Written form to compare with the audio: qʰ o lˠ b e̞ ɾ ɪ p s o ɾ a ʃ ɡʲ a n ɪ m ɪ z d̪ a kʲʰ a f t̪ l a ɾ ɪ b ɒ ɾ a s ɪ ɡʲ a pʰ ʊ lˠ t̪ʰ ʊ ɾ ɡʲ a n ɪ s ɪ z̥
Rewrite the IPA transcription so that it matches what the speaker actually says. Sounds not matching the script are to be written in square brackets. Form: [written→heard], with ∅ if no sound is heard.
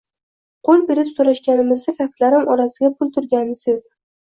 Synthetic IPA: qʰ o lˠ b e̞ ɾ ɪ p s o ɾ a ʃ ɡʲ a n ɪ m ɪ z d̪ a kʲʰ a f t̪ l a ɾ ɪ [b→m] ɒ ɾ a s ɪ ɡʲ a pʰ ʊ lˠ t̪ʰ ʊ ɾ ɡʲ a n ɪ s ɪ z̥